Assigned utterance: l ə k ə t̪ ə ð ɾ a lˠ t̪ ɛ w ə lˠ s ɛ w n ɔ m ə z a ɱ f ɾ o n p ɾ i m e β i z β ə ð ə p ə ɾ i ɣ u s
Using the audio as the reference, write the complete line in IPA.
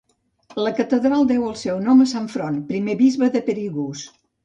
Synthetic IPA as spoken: l ə k ə t̪ ə ð ɾ a lˠ d̪ ɛ w ə lˠ s ɛ w n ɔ m ə s a ɱ f ɾ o n p ɾ i m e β i z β ə ð ə p ə ɾ i ɣ u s